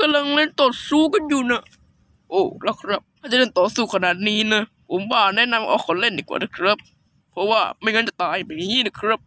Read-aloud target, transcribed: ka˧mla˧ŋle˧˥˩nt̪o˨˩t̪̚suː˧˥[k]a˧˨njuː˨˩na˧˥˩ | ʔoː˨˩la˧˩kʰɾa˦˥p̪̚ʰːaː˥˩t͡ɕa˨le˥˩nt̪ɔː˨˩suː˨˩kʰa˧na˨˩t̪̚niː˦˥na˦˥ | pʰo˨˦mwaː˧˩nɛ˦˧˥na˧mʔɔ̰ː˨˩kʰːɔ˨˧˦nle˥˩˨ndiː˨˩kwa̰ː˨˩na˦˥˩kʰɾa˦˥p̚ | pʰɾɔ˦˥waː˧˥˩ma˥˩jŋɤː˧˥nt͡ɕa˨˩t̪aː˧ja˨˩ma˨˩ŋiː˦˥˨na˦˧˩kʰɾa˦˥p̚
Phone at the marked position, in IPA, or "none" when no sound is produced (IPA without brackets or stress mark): k